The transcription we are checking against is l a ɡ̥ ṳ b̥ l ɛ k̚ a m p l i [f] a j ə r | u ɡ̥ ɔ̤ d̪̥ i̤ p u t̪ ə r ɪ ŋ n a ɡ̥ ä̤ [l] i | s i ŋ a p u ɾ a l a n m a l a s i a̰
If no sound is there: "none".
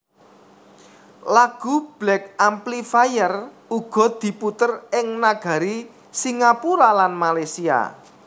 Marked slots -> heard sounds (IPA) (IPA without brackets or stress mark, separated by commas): f, ɾ